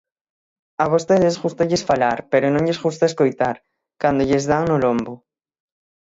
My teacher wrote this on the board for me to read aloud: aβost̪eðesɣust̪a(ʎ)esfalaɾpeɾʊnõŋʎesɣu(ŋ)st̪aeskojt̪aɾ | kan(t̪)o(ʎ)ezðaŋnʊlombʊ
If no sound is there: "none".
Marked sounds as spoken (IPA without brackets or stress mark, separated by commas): ʎ, none, d̪, ʎ